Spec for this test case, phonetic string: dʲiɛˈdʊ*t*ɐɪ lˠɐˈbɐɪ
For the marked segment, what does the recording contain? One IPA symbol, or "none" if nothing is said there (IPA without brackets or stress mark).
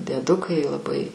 k